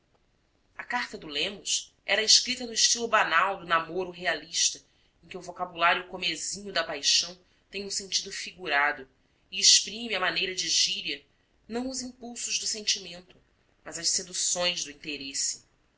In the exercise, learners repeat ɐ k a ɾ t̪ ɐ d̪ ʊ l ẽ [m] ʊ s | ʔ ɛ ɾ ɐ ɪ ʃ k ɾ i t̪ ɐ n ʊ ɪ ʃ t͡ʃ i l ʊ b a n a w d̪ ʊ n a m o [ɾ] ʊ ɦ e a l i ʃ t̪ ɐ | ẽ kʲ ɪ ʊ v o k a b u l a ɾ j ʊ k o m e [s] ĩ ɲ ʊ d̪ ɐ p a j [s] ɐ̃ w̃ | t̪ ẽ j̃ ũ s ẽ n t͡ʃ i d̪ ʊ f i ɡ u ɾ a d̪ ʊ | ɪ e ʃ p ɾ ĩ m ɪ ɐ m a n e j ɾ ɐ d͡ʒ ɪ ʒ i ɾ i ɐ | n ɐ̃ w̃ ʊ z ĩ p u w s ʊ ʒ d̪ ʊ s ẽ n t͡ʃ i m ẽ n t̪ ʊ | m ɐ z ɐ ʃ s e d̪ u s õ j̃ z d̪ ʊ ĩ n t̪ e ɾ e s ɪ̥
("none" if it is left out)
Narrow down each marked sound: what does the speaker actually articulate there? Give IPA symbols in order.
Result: m, ɾ, z, ʃ

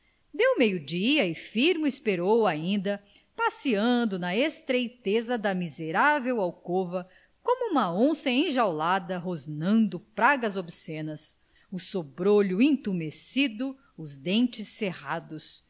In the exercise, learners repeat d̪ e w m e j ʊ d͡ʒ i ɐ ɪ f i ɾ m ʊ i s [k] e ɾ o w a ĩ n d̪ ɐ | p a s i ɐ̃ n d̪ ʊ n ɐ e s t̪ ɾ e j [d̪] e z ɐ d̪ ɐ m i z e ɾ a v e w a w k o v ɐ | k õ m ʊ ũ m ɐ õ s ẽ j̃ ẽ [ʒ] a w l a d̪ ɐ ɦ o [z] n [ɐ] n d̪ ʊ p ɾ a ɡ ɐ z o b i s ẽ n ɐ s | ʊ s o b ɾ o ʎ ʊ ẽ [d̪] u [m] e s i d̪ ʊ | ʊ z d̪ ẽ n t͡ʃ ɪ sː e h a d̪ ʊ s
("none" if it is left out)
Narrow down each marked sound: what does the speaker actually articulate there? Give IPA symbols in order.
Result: p, t̪, ʒ, z, ɐ̃, t̪, m

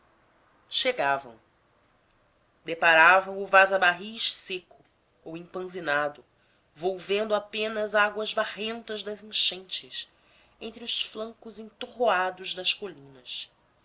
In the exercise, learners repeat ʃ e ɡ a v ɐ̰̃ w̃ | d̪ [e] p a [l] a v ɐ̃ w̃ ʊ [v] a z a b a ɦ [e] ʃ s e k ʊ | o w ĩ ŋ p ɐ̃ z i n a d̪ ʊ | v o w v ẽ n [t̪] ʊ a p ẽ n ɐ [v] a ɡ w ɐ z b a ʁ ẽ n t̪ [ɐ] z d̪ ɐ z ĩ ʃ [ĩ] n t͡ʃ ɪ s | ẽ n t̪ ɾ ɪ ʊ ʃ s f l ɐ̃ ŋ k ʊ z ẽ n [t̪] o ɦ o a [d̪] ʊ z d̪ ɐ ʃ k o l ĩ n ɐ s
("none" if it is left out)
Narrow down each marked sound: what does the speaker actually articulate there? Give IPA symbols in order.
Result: e, ɾ, v, i, d̪, z, ɐ, ẽ, t̪, d̪

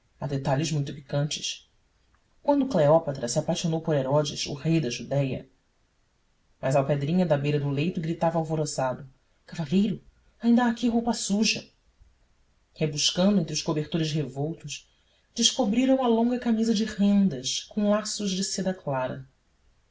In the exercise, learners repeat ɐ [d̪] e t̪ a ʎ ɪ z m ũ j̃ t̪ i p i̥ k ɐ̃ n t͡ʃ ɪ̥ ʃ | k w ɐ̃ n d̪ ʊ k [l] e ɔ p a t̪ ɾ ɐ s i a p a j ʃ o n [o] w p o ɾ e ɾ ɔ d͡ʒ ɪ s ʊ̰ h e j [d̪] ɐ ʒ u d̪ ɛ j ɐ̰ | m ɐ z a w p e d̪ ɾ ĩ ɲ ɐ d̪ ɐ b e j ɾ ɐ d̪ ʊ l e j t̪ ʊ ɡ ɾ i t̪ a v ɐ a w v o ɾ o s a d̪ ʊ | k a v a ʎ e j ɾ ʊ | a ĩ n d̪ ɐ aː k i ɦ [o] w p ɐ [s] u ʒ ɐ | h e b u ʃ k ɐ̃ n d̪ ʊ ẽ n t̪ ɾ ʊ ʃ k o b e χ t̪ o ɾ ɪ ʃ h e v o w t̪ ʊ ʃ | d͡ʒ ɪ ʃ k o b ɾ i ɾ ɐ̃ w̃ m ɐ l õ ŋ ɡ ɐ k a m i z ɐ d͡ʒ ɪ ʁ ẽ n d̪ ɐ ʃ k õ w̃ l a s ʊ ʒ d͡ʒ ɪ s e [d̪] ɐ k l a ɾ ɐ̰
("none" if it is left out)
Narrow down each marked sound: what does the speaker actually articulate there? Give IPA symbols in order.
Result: d̪, l, o, d̪, o, s, d̪

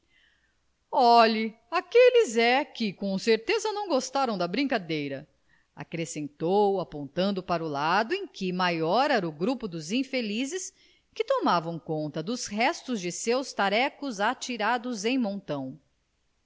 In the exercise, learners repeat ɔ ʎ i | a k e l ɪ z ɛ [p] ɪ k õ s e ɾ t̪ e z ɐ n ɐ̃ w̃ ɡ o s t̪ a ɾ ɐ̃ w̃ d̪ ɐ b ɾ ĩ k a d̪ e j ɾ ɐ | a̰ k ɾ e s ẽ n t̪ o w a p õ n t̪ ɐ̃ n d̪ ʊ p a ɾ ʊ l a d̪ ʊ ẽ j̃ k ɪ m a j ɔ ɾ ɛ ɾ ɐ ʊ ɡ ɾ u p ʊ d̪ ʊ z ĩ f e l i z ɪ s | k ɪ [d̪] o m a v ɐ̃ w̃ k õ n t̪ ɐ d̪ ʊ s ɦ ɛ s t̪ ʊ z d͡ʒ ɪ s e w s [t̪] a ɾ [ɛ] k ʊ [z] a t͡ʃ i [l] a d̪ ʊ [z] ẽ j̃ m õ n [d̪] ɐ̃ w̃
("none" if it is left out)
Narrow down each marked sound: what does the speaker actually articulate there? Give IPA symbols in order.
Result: k, t̪, t̪, ɛ, z, ɾ, z, t̪

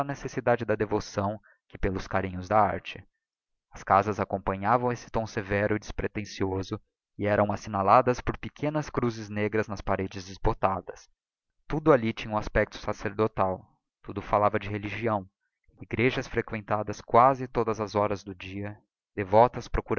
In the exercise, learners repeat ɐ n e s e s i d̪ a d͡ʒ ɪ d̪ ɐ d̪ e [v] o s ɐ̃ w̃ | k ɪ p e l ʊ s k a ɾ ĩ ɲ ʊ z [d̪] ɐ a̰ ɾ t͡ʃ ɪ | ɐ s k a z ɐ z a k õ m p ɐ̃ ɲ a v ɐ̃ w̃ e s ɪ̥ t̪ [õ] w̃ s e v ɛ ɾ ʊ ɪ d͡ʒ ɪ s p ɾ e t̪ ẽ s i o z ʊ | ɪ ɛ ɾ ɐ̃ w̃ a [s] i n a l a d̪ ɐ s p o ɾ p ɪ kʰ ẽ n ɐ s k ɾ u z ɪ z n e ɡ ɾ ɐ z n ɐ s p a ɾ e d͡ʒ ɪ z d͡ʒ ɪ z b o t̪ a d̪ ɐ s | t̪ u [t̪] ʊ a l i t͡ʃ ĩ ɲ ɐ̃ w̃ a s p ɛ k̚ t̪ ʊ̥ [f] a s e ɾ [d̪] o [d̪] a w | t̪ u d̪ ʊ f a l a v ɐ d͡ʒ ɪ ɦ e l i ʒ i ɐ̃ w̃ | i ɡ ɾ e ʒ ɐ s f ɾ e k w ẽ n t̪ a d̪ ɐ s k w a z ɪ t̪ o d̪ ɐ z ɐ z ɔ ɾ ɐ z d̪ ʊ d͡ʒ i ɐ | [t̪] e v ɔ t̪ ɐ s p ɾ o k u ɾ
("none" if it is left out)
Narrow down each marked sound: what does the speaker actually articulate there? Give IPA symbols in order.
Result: v, d̪, õ, s, d̪, s, d̪, t̪, d̪

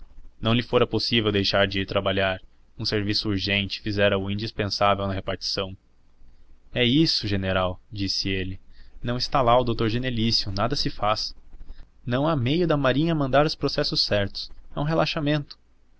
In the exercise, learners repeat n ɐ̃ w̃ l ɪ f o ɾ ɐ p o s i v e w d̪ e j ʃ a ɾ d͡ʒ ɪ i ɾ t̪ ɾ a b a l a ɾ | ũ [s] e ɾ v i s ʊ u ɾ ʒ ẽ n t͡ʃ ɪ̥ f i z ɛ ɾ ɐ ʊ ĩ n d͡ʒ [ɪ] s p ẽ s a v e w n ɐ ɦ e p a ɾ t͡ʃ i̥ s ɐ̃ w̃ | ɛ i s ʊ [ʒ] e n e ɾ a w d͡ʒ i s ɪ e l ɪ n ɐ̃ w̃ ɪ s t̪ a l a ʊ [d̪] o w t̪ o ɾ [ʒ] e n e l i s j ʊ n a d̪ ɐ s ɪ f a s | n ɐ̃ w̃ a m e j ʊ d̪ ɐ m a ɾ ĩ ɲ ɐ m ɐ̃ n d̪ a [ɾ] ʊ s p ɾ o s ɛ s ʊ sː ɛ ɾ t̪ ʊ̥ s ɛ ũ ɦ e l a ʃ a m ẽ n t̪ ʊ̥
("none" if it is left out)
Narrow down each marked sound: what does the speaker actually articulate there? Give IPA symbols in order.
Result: s, i, ʒ, d̪, ʒ, ɾ

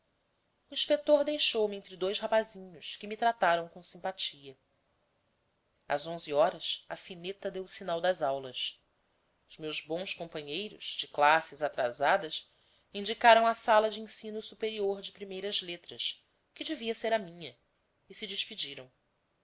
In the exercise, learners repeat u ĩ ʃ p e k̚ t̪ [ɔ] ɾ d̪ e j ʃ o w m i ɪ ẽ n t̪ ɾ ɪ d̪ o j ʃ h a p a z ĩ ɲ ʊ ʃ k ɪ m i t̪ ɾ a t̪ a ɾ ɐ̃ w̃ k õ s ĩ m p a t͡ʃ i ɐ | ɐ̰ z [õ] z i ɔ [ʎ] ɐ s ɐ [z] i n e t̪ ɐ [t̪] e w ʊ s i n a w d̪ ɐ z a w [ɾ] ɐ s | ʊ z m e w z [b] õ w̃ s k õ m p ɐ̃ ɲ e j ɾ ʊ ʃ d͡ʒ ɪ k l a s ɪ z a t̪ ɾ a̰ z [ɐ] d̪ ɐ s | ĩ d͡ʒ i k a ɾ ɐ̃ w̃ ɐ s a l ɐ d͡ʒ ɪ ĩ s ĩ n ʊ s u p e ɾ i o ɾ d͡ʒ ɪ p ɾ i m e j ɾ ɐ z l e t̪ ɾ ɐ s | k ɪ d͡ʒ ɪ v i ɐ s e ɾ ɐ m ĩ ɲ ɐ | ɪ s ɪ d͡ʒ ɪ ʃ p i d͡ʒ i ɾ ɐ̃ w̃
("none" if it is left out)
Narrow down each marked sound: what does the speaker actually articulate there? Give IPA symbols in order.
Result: o, õ, ɾ, s, d̪, l, b, a

